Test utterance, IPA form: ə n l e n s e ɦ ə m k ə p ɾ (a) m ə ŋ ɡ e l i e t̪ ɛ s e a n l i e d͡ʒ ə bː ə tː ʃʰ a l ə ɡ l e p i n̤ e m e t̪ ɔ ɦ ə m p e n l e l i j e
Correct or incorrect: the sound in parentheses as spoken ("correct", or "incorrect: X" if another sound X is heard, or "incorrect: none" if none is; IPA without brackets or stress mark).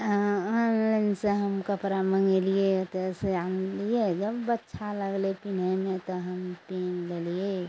correct